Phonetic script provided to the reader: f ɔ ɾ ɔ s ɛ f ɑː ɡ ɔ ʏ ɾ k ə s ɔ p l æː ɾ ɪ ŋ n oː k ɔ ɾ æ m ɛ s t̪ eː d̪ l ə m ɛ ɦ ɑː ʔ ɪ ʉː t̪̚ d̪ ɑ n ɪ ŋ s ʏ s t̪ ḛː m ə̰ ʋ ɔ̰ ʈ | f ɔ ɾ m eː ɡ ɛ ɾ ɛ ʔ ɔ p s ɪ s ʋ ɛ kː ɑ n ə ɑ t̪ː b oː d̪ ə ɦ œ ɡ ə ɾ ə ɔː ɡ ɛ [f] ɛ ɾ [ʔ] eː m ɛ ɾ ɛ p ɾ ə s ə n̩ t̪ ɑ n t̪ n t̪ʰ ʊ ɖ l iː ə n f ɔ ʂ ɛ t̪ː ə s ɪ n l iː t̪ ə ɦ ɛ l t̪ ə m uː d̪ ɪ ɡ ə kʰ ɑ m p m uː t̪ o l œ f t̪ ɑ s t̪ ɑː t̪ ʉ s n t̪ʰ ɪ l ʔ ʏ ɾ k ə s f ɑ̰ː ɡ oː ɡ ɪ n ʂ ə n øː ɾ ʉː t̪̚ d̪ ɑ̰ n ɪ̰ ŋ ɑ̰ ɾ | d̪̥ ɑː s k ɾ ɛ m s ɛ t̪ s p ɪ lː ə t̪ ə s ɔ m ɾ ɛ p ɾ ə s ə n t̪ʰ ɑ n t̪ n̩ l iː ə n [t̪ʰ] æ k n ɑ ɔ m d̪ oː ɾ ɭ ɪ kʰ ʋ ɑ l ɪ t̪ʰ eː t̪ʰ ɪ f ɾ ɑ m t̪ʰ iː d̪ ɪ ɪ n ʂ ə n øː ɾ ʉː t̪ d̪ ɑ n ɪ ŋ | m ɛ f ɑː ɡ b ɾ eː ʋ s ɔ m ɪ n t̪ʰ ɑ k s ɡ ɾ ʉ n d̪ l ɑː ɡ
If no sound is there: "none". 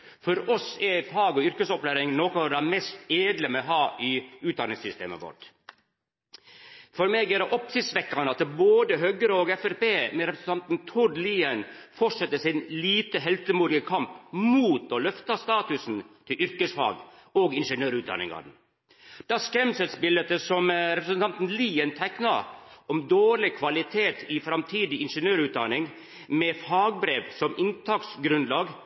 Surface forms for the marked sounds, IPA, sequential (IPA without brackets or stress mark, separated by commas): f, p, t̪ʰ